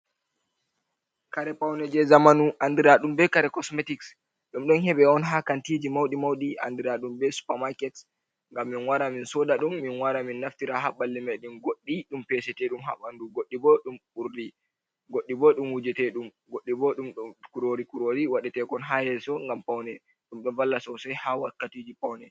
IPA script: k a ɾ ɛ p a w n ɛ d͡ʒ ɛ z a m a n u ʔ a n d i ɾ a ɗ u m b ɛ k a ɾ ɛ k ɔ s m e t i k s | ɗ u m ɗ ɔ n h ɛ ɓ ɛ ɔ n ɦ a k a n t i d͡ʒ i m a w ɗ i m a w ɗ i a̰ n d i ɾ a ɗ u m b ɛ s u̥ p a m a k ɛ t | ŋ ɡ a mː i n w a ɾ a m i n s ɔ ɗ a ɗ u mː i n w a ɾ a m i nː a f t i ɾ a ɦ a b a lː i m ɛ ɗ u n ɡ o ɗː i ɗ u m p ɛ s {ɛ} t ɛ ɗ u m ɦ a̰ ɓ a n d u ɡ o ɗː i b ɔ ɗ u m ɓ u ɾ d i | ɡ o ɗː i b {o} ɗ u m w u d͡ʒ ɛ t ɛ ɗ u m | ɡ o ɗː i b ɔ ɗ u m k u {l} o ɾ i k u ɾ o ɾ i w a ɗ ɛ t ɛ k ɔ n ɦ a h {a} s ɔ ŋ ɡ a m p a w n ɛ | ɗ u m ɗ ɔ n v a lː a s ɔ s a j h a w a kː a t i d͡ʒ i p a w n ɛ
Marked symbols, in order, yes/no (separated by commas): yes, no, no, no